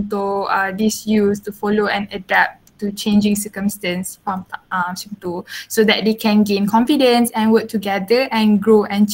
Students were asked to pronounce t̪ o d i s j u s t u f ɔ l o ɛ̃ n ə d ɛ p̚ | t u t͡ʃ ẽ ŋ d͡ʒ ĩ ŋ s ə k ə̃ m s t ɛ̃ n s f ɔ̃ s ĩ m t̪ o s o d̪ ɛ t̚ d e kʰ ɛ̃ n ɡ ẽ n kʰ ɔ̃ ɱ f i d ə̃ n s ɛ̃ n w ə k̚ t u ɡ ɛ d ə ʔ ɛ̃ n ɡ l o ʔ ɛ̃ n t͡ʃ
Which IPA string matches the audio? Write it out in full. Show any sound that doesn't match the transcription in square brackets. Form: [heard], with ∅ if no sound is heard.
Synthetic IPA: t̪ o d i s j u s t u f ɔ l o ɛ̃ n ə d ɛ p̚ | t u t͡ʃ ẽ [n] d͡ʒ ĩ ŋ s ə k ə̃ m s t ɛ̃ n s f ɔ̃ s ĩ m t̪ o s o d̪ ɛ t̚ d e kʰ ɛ̃ n ɡ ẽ n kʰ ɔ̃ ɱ f i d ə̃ n s ɛ̃ n w ə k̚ t u ɡ ɛ d ə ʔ ɛ̃ n ɡ [ɹ] o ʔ ɛ̃ n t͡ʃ